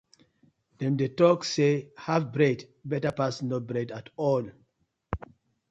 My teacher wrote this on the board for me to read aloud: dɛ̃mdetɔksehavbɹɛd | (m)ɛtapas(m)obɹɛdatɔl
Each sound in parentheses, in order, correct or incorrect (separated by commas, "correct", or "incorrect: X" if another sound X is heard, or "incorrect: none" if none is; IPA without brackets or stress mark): incorrect: b, incorrect: n